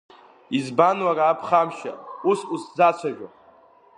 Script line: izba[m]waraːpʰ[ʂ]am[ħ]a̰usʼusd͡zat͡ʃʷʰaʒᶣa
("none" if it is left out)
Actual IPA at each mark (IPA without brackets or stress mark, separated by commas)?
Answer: n, χ, ʃ